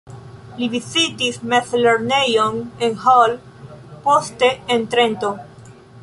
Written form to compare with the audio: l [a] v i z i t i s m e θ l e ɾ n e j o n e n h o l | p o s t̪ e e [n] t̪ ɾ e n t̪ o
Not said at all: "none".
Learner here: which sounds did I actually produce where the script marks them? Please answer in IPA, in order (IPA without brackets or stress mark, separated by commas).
i, n